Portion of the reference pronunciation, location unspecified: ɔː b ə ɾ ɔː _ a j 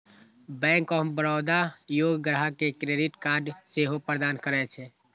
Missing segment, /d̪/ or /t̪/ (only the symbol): d̪